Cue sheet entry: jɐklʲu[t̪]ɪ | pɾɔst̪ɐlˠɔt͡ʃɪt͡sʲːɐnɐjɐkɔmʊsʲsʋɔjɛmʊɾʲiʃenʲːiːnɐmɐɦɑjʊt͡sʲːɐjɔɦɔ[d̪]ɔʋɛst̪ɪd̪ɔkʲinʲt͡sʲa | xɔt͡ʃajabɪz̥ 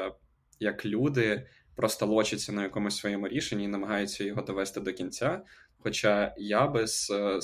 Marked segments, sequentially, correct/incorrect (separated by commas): incorrect, correct